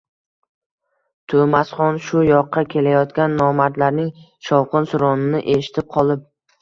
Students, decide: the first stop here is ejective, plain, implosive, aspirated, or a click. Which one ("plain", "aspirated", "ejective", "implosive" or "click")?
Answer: aspirated